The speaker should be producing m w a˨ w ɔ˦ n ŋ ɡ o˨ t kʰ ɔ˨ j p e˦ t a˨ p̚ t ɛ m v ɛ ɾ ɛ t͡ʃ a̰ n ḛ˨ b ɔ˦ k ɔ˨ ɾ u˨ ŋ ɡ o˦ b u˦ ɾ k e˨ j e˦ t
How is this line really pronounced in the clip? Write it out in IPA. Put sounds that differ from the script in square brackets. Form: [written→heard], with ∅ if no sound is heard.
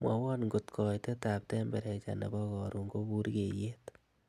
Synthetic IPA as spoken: m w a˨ w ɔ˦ n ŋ ɡ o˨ t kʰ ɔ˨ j [p→t] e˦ t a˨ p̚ t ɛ m [v→b] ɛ ɾ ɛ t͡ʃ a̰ n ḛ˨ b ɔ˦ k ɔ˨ ɾ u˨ ŋ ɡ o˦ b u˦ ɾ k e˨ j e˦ t